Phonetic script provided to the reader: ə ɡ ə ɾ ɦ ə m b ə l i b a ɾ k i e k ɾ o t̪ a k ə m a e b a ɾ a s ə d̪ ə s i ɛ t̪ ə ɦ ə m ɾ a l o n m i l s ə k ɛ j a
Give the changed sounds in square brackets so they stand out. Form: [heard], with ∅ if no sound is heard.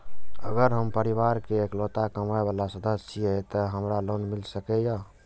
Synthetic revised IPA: ə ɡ ə ɾ ɦ ə m [p] ə [ɾ] i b a ɾ k [e] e k [l] o t̪ a k ə m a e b a [l] a s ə d̪ ə s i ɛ t̪ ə ɦ ə m ɾ a l o n m i l s ə k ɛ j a